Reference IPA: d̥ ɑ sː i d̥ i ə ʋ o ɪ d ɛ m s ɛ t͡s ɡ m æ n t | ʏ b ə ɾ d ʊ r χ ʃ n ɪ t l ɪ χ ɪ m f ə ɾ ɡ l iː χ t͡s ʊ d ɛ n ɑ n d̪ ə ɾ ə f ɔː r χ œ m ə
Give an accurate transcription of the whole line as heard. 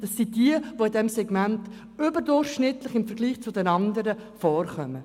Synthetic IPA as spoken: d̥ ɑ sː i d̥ i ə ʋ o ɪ d ɛ m s ɛ ɡ m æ n t | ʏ b ə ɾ d ʊ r χ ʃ n ɪ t l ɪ χ ɪ m f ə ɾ ɡ l iː χ t͡s ʊ d ɛ n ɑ n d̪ ə ɾ ə f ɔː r χ œ m ə